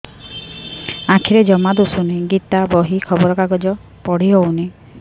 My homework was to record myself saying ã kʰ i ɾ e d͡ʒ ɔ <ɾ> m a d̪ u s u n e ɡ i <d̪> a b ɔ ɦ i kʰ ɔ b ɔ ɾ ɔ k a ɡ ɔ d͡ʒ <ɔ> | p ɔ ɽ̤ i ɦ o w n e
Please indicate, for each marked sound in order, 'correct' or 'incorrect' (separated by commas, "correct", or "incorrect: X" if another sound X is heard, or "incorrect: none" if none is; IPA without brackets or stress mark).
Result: incorrect: none, incorrect: t̪, correct